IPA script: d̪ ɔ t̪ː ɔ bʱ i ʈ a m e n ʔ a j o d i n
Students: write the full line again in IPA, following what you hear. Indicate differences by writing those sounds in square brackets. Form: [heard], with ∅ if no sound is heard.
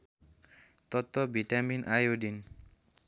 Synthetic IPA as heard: [t̪] ɔ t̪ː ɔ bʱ i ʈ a m [i] n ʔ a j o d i n